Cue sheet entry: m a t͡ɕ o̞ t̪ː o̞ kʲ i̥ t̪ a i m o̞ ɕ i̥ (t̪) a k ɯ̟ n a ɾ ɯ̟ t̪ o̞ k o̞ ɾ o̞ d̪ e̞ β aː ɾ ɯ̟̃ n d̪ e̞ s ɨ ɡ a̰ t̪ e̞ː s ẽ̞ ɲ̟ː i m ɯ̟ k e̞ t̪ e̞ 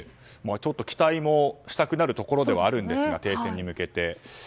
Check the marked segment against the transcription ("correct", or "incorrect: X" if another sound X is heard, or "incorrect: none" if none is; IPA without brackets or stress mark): correct